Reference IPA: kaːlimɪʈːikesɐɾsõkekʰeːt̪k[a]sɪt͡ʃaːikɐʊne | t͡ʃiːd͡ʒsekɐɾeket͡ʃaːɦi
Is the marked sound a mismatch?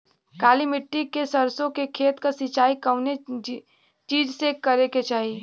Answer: no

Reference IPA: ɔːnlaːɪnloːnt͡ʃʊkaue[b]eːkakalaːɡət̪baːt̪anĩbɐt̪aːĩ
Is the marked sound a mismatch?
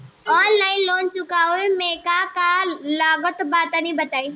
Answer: yes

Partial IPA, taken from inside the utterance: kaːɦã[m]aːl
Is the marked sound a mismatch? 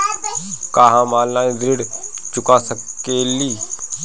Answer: no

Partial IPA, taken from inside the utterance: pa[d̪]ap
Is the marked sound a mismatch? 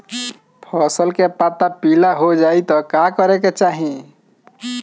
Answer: yes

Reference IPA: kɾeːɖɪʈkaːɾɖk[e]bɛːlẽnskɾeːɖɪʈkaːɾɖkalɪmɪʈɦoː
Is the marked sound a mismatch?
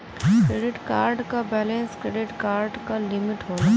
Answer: yes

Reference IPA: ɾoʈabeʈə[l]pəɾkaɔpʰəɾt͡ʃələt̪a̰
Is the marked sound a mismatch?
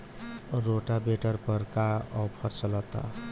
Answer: yes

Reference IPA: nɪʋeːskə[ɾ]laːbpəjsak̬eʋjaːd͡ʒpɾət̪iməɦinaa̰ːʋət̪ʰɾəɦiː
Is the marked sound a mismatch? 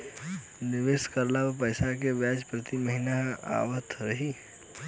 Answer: no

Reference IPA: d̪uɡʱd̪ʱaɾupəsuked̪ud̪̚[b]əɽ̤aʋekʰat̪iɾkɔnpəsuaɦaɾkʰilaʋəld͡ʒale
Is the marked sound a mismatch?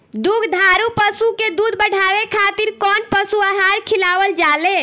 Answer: no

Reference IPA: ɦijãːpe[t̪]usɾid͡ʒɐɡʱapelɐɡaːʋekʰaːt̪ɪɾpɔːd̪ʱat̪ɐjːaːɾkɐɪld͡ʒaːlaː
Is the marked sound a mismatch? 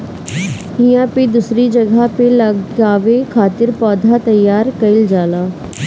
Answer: yes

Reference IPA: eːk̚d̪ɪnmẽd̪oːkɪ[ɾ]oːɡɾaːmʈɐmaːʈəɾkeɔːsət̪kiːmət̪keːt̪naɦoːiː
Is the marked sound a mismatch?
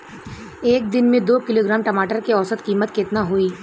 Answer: yes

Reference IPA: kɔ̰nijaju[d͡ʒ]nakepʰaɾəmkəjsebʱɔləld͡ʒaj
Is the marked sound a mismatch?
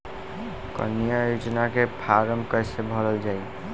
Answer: no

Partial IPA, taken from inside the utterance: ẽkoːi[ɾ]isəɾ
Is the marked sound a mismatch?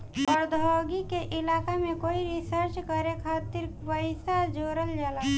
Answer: no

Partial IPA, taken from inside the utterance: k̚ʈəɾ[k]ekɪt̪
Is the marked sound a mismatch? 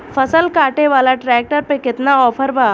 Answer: yes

